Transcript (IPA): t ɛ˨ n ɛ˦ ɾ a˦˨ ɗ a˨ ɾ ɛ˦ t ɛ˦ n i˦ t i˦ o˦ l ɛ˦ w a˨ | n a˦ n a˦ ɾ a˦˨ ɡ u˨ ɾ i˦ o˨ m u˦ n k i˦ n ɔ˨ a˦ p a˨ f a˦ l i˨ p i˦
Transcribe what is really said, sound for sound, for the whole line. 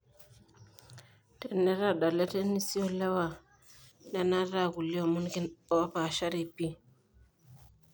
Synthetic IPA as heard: t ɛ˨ n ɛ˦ ɾ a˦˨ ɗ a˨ l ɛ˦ t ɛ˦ n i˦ s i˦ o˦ l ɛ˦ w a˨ | n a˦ n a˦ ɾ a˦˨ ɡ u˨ l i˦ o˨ m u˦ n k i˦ n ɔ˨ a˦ p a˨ ʃ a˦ ɾ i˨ p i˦